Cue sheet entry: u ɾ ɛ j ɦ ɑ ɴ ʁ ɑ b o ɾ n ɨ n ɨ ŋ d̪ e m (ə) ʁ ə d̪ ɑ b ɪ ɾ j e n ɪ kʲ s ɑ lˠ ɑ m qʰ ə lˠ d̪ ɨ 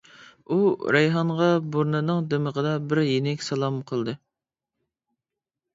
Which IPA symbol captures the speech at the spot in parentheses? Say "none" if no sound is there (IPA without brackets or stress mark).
ə